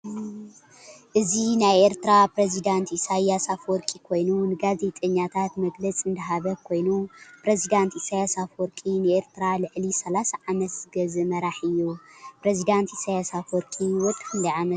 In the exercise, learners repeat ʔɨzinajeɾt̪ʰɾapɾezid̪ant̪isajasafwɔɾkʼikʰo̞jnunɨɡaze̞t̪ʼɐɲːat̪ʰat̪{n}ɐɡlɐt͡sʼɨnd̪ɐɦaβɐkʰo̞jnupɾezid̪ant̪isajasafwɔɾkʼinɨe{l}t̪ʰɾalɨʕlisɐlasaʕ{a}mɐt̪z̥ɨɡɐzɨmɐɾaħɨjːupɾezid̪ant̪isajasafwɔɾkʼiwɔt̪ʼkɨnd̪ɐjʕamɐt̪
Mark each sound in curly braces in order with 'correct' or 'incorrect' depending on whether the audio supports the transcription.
incorrect: m, incorrect: ɾ, correct

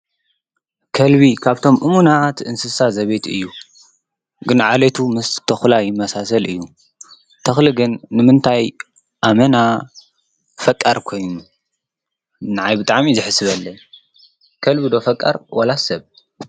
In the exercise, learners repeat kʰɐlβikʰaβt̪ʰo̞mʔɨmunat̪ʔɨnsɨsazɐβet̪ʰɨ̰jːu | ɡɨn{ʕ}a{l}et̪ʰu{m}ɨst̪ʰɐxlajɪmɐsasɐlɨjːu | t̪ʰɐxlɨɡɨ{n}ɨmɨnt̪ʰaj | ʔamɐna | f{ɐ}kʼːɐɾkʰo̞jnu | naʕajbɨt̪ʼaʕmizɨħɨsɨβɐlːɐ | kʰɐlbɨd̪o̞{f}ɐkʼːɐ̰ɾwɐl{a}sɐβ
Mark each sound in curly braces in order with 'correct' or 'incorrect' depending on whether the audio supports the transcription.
correct, correct, correct, incorrect: nː, correct, correct, correct

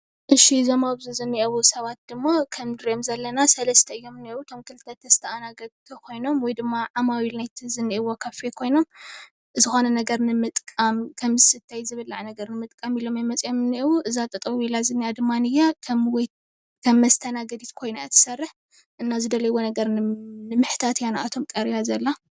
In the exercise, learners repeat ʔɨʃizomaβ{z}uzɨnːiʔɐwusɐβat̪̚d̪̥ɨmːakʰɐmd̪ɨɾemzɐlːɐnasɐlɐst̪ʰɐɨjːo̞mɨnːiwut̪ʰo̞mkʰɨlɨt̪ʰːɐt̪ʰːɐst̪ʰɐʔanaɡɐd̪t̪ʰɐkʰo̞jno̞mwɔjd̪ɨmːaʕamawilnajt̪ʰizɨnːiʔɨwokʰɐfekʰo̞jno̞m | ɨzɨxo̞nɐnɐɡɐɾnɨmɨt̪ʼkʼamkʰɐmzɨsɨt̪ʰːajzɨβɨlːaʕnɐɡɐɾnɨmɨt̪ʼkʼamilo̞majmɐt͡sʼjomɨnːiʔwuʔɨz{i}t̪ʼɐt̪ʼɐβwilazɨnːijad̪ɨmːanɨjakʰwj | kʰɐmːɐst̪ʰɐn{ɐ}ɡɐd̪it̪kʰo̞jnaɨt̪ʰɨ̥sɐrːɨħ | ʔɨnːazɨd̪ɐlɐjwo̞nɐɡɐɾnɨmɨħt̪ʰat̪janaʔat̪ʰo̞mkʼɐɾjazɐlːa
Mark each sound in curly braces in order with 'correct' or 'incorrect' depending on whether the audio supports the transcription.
correct, incorrect: a, incorrect: a

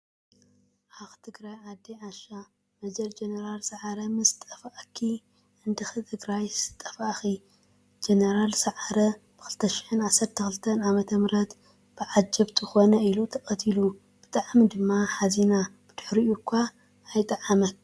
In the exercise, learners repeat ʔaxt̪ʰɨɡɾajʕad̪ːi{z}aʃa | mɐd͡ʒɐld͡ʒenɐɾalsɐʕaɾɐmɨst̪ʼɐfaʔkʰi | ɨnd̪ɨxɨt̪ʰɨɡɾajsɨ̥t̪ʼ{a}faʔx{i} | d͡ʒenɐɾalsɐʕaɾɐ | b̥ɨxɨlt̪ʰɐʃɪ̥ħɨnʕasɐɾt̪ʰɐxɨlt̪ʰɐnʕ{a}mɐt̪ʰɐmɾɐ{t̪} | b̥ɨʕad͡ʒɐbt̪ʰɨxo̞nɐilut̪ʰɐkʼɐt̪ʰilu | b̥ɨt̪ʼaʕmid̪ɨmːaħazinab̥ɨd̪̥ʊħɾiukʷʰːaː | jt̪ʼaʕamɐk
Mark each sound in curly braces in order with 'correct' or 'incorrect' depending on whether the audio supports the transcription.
incorrect: ʕ, incorrect: ɐ, correct, correct, correct

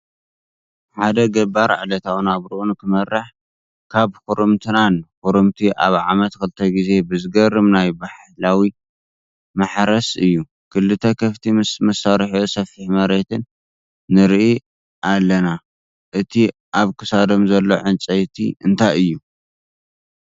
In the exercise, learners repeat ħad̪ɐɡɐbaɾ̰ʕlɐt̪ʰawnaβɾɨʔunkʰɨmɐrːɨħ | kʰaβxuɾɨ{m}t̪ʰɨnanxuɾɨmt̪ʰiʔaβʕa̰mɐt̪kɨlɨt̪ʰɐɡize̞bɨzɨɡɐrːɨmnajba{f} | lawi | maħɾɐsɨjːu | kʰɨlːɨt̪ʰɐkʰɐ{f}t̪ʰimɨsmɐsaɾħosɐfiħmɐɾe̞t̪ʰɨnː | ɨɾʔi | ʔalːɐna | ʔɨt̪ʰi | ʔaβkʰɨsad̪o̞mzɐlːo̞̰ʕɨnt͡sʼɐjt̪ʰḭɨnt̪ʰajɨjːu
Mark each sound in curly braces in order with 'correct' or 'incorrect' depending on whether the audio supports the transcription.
correct, incorrect: ħ, correct

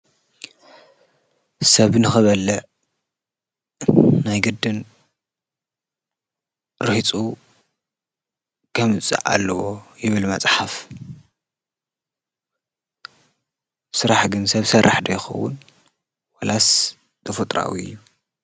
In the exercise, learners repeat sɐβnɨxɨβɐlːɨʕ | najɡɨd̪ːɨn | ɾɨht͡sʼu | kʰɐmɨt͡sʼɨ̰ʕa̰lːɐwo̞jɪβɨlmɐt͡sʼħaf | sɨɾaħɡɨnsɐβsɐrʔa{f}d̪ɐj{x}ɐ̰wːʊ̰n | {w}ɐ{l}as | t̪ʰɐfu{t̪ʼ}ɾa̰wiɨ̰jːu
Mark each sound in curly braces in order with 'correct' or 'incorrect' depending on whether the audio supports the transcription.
incorrect: ħ, correct, correct, correct, correct

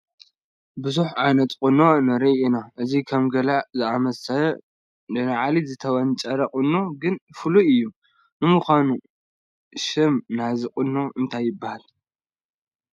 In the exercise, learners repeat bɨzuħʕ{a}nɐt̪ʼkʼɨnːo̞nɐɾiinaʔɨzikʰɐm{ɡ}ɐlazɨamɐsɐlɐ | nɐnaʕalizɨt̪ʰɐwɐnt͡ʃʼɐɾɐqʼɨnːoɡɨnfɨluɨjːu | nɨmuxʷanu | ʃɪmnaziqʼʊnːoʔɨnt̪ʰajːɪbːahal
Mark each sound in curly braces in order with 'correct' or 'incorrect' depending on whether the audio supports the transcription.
correct, correct

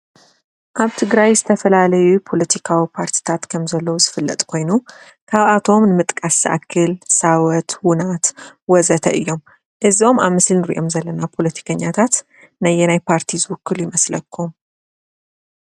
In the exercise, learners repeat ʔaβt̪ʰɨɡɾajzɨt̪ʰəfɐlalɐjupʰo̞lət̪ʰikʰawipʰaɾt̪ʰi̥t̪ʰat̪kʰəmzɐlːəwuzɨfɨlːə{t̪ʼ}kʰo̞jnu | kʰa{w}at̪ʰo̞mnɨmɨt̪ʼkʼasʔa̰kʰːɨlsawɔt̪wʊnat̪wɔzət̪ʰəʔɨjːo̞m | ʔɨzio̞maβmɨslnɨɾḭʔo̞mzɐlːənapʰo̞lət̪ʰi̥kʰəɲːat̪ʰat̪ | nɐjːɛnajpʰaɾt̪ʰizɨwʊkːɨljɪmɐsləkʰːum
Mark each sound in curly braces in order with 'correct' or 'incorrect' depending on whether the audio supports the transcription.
correct, incorrect: β

